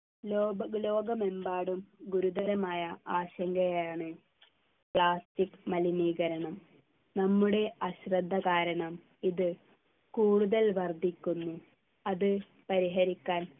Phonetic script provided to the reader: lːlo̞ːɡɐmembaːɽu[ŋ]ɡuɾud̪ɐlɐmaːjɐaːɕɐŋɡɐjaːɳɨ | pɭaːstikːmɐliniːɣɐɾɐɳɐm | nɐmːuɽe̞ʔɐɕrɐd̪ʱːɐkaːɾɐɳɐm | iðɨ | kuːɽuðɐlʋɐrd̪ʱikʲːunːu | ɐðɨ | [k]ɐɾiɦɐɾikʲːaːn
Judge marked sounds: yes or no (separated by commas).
no, no